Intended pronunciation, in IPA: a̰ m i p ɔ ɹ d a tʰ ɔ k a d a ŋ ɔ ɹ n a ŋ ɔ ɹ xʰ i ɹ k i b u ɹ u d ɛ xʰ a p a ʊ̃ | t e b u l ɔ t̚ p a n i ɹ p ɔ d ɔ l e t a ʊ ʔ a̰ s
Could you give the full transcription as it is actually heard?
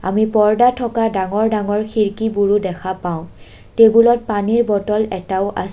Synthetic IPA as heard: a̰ m i p ɔ ɹ d a tʰ ɔ k a d a ŋ ɔ ɹ d a ŋ ɔ ɹ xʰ i ɹ k i b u ɹ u d ɛ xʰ a p a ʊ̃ | t e b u l ɔ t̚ p a n i ɹ b ɔ t ɔ l ɛ t a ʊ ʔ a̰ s